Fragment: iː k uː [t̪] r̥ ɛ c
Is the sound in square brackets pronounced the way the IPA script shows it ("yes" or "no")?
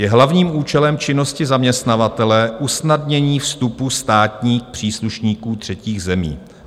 yes